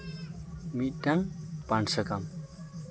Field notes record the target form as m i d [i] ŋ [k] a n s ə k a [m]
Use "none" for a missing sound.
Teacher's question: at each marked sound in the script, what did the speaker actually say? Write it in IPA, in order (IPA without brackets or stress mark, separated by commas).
a, p, m